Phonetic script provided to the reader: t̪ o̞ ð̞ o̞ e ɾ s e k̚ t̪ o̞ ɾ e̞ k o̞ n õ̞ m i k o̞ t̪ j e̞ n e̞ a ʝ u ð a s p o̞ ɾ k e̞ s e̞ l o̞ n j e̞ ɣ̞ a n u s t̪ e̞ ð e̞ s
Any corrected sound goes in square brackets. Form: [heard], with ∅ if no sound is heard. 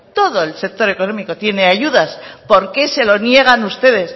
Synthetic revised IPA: t̪ o̞ ð̞ o̞ e [l] s e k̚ t̪ o̞ ɾ e̞ k o̞ n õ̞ m i k o̞ t̪ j e̞ n e̞ a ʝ u ð a s p o̞ ɾ k e̞ s e̞ l o̞ n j e̞ ɣ̞ a n u s t̪ e̞ ð e̞ s